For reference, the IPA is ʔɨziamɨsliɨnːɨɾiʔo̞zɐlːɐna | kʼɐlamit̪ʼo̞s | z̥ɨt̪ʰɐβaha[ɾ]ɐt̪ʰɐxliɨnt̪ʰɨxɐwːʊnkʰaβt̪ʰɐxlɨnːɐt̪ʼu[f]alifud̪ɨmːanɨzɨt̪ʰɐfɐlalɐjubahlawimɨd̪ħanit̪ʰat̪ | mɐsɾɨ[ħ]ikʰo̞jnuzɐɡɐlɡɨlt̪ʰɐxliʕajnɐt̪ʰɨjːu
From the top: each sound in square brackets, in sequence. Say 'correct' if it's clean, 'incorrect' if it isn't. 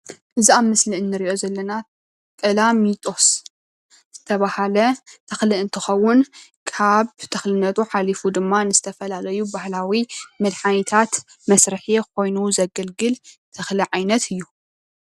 incorrect, incorrect, correct

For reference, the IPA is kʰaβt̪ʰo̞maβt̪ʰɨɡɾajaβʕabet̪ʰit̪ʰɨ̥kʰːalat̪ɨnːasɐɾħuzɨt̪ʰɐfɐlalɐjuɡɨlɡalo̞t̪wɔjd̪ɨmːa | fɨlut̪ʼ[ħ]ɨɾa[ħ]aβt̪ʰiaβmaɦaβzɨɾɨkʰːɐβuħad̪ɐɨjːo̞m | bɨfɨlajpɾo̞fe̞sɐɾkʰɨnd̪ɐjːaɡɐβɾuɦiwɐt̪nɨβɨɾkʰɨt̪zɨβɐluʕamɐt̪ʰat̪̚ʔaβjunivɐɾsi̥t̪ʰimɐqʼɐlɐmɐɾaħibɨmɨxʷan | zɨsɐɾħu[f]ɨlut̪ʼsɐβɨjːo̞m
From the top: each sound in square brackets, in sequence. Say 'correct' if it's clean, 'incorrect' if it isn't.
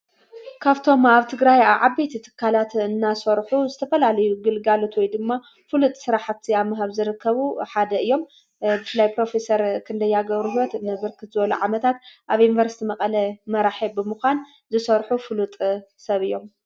incorrect, correct, correct

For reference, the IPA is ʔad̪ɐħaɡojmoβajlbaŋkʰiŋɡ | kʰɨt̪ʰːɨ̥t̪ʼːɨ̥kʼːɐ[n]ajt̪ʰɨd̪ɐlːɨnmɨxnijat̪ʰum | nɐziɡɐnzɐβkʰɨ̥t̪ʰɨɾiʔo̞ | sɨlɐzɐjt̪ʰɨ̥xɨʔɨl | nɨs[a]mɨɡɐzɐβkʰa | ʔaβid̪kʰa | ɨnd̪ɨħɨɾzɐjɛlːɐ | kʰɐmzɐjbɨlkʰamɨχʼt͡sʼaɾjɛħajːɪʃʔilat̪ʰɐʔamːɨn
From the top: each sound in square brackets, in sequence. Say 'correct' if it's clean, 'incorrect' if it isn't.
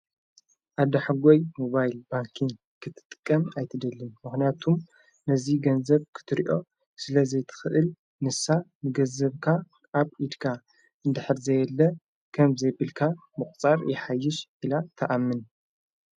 incorrect, correct

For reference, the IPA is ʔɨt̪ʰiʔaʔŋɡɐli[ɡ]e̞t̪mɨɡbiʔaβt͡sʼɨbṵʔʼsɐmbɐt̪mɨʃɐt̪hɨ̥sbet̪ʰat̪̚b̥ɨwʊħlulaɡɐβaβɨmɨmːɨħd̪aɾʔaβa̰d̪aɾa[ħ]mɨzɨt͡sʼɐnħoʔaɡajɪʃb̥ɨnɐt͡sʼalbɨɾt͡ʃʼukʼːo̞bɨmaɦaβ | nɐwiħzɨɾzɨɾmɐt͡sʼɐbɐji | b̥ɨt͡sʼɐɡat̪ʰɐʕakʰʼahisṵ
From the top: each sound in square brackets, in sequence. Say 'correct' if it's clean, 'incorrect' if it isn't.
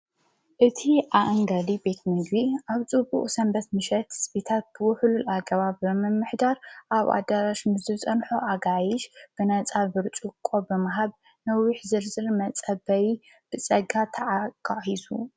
incorrect, incorrect

